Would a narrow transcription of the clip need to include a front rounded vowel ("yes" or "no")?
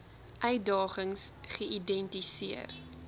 yes